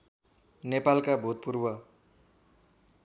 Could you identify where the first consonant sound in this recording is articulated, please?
alveolar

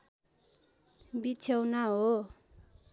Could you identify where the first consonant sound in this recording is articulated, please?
labial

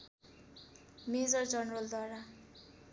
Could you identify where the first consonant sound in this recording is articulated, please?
labial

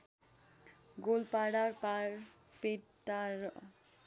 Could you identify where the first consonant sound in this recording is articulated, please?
velar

